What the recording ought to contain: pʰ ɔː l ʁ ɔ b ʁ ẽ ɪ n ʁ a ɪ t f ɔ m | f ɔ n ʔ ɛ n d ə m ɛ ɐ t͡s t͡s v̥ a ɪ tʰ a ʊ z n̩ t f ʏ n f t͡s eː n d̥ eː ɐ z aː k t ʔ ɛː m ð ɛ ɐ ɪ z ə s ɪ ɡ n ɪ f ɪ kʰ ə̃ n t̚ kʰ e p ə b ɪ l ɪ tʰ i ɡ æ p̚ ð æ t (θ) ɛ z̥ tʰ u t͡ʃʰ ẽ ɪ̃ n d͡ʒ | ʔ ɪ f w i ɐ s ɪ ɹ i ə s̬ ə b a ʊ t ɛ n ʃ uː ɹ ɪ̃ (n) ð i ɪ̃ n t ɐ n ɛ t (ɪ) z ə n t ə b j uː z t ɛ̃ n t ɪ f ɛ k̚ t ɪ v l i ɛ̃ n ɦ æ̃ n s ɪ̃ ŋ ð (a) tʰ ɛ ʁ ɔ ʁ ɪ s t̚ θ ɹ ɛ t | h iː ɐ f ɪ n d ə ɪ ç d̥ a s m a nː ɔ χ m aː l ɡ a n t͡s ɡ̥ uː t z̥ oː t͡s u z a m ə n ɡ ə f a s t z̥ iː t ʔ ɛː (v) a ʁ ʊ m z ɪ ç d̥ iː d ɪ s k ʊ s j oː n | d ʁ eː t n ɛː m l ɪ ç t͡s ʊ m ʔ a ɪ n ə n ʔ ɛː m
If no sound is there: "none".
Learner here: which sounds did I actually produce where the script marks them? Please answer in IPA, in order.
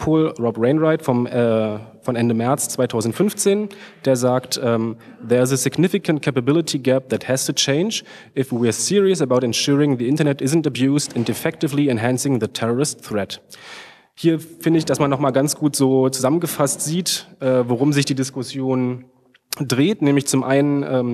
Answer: h, ŋ, ɪ, ə, v

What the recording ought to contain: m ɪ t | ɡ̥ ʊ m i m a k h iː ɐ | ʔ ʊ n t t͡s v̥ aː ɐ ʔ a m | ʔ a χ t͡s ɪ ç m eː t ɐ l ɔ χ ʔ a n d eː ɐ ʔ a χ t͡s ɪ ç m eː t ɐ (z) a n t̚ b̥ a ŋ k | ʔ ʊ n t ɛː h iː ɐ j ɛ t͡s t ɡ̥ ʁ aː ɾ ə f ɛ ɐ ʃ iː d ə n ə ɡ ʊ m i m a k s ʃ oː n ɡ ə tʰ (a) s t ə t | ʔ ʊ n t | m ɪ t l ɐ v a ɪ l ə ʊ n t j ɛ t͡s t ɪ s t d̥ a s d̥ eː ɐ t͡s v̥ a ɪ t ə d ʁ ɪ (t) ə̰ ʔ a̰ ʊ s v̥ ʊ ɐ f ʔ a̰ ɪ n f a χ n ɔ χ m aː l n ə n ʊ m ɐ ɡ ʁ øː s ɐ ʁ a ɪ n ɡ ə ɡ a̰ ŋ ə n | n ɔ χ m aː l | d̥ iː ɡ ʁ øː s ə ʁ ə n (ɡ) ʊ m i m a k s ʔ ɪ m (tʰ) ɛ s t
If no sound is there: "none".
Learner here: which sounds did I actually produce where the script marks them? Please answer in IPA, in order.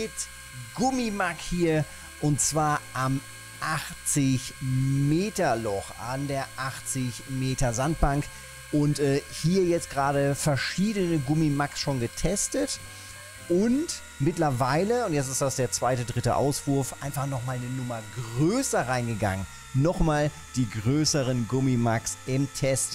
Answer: z, ɛ, t, ɡ, tʰ

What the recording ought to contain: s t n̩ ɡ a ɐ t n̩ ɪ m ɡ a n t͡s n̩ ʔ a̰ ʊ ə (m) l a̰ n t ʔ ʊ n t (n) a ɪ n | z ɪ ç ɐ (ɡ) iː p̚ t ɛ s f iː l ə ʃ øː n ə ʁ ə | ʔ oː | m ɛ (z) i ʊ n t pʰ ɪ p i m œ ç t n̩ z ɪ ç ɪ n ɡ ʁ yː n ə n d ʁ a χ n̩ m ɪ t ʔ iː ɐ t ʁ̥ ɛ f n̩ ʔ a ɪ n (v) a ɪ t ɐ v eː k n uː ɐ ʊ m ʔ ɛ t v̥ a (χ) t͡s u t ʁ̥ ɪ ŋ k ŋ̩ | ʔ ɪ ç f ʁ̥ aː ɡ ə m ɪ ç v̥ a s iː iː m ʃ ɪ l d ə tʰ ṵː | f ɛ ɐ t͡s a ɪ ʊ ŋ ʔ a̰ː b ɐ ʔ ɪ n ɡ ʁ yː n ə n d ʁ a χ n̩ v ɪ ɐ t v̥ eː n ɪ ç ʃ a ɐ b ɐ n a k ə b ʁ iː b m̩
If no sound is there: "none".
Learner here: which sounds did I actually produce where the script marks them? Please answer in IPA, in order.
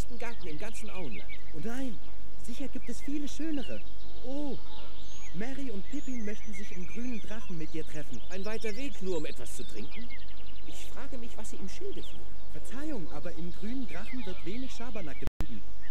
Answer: n, n, ɡ, ʁ, v, s

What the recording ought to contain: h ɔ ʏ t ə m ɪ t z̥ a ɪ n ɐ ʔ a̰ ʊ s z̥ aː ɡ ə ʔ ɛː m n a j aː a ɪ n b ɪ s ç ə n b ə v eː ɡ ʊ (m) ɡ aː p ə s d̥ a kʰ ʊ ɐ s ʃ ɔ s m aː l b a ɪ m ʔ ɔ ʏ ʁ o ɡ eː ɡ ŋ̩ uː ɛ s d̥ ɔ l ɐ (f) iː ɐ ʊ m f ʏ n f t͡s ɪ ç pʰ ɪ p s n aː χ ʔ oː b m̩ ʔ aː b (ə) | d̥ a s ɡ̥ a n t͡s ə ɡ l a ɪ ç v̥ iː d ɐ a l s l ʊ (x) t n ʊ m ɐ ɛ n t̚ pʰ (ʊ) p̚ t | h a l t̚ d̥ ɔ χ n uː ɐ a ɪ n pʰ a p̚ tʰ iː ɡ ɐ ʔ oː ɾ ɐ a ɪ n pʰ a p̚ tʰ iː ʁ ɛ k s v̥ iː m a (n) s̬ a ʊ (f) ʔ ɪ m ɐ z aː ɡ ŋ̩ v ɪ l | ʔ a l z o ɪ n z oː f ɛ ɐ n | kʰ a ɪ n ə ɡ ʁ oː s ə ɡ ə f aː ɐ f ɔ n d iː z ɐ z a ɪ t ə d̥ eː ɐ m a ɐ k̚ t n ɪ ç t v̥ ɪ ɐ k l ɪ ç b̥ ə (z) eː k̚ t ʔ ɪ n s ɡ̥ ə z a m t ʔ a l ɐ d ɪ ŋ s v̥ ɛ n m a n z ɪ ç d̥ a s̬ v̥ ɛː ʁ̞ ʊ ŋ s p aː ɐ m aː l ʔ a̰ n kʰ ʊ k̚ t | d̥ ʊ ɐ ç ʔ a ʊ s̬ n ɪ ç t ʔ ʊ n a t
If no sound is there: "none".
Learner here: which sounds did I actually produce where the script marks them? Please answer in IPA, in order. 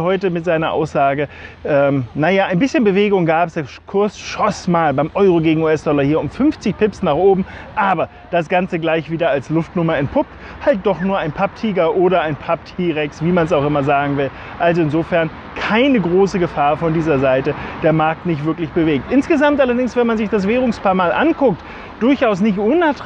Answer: ŋ, h, ɐ, f, ʊ, n, x, v

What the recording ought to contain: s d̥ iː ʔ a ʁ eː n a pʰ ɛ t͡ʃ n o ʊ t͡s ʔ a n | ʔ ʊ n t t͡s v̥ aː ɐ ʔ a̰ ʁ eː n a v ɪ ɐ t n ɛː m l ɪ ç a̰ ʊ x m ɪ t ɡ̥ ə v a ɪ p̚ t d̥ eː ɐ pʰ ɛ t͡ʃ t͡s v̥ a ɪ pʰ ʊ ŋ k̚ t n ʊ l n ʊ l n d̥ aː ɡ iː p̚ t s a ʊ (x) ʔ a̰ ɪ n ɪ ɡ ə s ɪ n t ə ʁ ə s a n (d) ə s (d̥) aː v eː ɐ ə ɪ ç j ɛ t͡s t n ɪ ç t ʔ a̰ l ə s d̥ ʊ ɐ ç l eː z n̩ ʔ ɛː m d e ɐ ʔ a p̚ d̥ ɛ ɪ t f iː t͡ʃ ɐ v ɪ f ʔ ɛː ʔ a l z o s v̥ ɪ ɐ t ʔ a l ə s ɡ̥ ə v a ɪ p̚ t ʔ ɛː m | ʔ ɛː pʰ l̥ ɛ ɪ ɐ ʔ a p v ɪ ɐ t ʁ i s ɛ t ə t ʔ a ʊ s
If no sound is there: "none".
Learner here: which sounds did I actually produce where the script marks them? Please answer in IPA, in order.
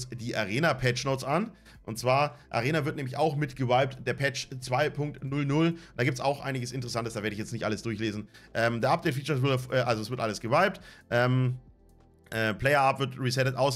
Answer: x, t, d̥

